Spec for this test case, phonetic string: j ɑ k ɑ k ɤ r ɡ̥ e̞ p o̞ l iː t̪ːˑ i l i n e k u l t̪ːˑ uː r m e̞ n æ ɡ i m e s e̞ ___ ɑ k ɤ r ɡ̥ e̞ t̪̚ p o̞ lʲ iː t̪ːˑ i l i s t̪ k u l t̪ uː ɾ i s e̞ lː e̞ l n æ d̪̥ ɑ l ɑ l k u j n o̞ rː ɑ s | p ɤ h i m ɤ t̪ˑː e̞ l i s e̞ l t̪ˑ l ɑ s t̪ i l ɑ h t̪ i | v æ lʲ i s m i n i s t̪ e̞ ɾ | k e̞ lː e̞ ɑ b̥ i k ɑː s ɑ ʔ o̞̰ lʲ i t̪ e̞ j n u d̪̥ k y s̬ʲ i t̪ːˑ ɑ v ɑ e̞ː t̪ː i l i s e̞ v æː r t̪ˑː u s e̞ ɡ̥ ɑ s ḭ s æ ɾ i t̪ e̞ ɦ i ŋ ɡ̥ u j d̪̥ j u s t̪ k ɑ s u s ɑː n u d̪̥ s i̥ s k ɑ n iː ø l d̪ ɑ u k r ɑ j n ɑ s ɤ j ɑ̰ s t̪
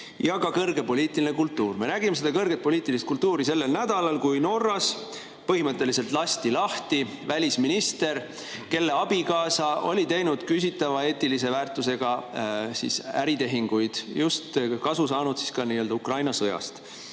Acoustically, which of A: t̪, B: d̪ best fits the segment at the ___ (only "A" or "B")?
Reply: B